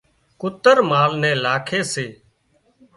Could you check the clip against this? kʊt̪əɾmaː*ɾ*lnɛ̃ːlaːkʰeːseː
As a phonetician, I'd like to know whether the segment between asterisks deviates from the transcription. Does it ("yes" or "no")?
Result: yes